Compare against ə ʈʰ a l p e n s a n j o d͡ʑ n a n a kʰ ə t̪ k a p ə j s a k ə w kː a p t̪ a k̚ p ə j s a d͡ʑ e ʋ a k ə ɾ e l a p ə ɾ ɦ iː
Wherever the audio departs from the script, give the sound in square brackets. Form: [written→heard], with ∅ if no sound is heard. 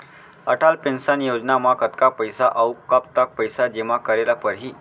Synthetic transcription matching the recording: ə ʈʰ a l p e n s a n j o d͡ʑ n a [n→m] a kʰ ə t̪ k a p ə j s a [k→ʔ] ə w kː a p t̪ a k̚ p ə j s a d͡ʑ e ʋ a k ə ɾ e l a p ə ɾ ɦ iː